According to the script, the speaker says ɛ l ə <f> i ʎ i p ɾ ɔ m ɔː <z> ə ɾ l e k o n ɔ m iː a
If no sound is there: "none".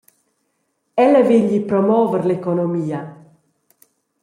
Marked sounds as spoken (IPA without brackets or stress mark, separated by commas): v, v